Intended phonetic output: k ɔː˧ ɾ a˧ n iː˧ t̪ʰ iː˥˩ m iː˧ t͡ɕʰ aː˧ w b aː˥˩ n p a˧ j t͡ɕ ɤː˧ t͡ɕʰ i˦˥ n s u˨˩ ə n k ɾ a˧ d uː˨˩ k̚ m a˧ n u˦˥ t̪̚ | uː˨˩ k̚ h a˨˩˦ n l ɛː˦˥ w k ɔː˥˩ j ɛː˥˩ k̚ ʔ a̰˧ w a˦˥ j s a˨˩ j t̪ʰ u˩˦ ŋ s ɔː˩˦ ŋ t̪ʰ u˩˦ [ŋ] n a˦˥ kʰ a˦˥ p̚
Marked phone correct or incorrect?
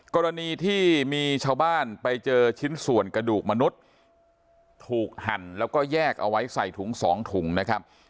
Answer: correct